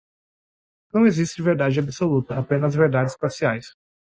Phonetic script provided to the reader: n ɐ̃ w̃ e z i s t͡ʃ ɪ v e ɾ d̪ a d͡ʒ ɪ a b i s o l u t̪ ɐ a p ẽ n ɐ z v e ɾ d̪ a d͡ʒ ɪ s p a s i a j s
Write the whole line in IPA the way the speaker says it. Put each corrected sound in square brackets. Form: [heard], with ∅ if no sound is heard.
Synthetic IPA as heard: n ɐ̃ w̃ e z i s t͡ʃ ɪ v e ɾ d̪ a d͡ʒ ɪ a b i s o l u t̪ ɐ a p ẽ n ɐ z v e ɾ d̪ a d͡ʒ ɪ s p a s i a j s

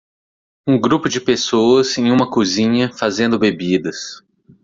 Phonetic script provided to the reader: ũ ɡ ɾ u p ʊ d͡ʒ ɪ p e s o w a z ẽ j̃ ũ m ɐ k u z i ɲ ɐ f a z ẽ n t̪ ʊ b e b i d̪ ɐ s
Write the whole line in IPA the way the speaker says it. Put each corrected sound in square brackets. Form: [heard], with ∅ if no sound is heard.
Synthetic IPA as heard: ũ ɡ ɾ u p ʊ d͡ʒ ɪ p e s o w [ɐ] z ẽ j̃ ũ m ɐ k u z [ĩ] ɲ ɐ f a z ẽ n [d̪] ʊ b e b i d̪ ɐ s

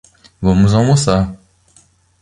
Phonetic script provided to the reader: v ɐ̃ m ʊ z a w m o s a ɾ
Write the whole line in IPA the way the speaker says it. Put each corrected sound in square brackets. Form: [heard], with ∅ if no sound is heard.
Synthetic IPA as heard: v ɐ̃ m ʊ z a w m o s a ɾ

